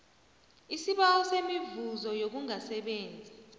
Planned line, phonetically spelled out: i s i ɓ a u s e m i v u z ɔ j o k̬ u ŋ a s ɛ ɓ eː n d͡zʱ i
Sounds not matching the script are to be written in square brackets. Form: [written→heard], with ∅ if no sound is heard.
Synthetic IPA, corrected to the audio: i s i ɓ a [u→ɔ] s e m i v u z ɔ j o k̬ u ŋ a s ɛ ɓ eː n d͡zʱ i